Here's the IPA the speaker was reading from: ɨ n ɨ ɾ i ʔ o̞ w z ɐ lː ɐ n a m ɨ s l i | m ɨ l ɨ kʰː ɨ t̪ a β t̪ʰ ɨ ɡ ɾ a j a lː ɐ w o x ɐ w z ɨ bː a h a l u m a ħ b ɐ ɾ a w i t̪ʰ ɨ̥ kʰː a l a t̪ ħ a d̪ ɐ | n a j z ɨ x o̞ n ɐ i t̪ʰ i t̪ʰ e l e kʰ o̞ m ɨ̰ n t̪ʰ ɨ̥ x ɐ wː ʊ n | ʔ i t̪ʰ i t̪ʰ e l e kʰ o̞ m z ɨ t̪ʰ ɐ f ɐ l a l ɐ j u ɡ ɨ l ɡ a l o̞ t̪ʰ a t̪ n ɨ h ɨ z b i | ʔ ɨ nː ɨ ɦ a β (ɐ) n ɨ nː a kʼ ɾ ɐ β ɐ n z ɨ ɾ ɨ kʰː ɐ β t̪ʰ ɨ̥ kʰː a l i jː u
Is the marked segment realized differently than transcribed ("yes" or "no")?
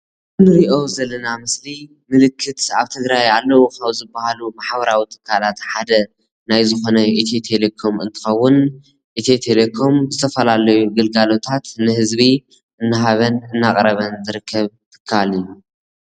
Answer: no